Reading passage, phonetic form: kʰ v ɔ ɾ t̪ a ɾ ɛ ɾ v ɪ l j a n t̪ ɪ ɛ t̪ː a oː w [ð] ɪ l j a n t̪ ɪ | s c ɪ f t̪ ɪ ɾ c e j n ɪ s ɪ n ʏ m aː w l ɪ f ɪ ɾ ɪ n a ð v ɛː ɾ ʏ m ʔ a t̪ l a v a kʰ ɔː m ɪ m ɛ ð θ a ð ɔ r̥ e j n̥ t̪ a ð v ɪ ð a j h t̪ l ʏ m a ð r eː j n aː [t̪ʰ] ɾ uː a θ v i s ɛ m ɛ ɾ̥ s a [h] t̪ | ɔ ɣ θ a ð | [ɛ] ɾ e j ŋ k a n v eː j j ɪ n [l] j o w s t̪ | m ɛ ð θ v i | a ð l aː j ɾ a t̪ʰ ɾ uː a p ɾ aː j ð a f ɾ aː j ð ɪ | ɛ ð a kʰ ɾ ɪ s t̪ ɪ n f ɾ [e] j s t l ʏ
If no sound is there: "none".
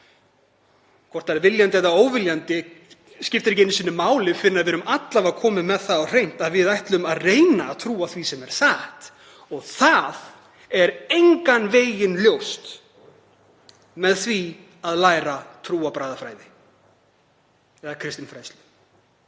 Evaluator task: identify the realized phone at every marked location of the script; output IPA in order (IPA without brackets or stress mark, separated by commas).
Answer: v, t̪ʰ, h, ɛ, l, a